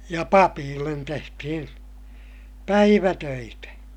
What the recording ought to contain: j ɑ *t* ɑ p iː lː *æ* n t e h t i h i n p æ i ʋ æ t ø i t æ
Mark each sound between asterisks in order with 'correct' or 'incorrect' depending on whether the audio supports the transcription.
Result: incorrect: p, incorrect: e

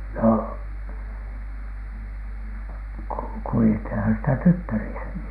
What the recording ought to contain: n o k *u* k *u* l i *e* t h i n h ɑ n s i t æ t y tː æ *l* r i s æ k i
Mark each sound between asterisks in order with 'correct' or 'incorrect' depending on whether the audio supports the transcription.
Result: correct, correct, correct, incorrect: none

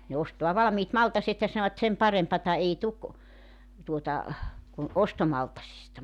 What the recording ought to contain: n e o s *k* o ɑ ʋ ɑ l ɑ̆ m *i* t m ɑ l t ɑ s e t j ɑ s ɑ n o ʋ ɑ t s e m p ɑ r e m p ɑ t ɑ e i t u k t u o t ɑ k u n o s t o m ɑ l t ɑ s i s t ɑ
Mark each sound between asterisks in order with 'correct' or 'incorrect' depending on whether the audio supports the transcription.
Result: incorrect: t, incorrect: iː

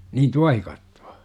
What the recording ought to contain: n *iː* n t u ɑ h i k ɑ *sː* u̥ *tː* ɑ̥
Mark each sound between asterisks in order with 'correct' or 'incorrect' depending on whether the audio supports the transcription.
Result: correct, incorrect: tː, incorrect: none

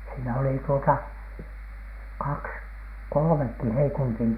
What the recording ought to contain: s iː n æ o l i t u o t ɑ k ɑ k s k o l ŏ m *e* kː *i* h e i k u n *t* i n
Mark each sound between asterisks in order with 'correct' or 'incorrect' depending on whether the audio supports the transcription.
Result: correct, correct, correct

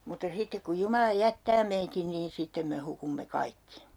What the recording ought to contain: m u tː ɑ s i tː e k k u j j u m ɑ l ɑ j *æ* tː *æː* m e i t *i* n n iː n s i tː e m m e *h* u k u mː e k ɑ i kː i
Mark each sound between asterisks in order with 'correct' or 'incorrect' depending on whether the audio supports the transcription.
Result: correct, correct, correct, correct

